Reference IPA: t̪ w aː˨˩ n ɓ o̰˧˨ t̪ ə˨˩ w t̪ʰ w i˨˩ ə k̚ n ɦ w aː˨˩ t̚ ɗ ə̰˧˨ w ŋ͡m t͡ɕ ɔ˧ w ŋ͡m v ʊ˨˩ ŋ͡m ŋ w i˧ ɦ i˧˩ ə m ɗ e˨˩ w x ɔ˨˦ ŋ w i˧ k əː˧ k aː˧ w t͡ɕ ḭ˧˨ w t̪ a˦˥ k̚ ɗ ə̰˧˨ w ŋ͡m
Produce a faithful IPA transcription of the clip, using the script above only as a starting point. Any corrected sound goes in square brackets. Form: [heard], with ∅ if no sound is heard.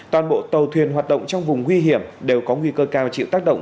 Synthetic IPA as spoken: t̪ w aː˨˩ n ɓ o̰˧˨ t̪ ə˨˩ w t̪ʰ w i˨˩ ə [∅] n ɦ w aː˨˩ t̚ ɗ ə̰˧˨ w ŋ͡m t͡ɕ ɔ˧ w ŋ͡m v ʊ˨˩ ŋ͡m ŋ w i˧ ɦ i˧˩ ə m ɗ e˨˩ w [k] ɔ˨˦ ŋ w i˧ k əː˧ k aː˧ w t͡ɕ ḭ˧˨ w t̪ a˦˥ k̚ ɗ ə̰˧˨ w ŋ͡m